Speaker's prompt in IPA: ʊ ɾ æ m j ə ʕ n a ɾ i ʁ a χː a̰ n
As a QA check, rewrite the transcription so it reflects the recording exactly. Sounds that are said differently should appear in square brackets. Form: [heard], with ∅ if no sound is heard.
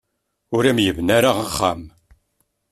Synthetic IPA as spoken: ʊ ɾ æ m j ə [v] n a ɾ [a] ʁ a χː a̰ [m]